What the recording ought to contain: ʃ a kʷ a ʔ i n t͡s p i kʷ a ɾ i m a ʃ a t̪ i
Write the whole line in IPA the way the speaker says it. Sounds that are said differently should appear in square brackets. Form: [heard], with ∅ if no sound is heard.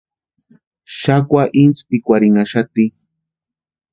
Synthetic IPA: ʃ a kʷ a ʔ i n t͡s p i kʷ a ɾ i [ŋ] a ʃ a t̪ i

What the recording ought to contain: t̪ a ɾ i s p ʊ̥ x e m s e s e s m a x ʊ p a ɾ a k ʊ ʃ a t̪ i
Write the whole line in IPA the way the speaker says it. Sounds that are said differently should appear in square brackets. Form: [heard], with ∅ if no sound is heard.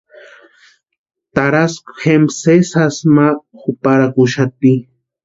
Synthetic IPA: t̪ a ɾ [a] s [k] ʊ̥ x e m s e s [a] s m a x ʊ p a ɾ a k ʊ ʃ a t̪ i

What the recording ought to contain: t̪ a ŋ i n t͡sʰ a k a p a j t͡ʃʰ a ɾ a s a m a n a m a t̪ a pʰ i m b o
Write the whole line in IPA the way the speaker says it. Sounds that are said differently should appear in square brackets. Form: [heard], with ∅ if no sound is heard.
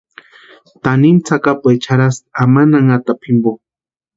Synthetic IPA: t̪ a [n] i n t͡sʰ a k a p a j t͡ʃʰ a ɾ a s a m a n a [ŋ] a t̪ a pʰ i m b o

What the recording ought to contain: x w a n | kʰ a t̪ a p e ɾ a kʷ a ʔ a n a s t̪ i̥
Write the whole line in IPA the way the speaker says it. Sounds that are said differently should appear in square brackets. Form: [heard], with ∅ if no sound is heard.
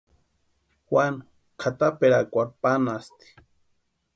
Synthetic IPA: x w a n | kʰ a t̪ a p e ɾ a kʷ a [p] a n a s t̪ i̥

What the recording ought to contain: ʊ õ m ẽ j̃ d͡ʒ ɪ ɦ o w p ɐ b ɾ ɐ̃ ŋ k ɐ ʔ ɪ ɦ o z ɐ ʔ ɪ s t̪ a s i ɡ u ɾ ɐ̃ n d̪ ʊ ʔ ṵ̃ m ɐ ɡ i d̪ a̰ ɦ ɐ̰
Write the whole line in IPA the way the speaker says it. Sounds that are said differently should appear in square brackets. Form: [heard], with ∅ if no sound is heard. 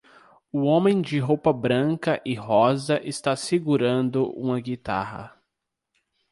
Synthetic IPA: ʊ õ m ẽ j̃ d͡ʒ ɪ ɦ o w p ɐ b ɾ ɐ̃ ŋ k ɐ ʔ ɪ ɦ [ɔ] z ɐ ʔ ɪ s t̪ a s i ɡ u ɾ ɐ̃ n d̪ ʊ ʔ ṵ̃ m ɐ ɡ i [t̪] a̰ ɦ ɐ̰

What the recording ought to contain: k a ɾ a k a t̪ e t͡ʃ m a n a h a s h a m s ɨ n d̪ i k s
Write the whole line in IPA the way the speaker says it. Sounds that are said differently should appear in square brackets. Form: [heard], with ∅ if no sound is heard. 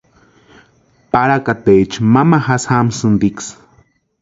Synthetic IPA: [p] a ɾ a k a t̪ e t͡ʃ m a [m] a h a s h a m s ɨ n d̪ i k s

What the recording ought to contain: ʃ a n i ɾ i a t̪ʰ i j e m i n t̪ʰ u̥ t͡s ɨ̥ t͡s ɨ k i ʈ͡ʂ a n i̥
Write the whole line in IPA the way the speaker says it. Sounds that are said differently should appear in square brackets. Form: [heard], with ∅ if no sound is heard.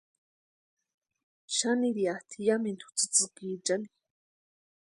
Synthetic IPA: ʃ a n i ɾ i a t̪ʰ i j [a] m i n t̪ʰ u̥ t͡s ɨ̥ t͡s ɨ k i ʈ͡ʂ a n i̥

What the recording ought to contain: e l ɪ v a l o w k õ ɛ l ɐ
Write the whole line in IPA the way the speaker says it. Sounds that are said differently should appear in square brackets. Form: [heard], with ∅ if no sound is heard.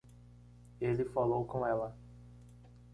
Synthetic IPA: e l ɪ [f] a l o w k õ ɛ l ɐ

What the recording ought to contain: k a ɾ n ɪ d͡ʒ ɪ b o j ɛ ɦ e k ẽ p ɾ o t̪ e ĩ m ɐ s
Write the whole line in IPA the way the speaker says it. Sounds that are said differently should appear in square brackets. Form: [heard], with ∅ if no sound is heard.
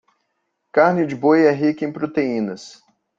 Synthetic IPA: k a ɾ n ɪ d͡ʒ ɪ b o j ɛ ɦ [i] k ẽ p ɾ o t̪ e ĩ [n] ɐ s

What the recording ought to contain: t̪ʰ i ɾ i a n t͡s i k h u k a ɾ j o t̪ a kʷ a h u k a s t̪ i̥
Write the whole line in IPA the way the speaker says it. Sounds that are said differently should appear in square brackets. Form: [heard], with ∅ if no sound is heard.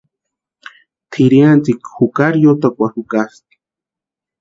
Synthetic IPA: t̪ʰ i ɾ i a n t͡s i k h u k a ɾ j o t̪ a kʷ a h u k a s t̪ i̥

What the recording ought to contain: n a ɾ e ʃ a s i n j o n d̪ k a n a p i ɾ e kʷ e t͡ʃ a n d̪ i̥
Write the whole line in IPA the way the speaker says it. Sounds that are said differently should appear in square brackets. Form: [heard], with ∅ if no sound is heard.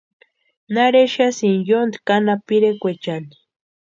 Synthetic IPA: n a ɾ e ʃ a s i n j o n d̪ k a n a p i ɾ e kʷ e t͡ʃ a n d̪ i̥

